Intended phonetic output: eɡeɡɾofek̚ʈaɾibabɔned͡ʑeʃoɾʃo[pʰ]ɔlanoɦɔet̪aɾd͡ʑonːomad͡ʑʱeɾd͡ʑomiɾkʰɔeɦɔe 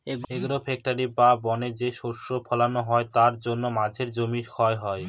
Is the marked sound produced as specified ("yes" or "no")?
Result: yes